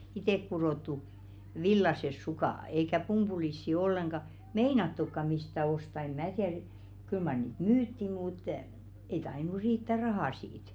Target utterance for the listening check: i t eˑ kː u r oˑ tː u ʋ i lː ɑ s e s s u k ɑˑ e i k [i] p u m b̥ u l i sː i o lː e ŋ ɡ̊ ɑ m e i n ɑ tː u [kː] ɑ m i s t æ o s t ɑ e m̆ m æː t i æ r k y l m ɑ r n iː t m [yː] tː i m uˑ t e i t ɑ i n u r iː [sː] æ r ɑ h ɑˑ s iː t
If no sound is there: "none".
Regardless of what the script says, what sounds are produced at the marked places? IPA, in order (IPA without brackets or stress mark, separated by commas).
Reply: æ, kː, yː, tː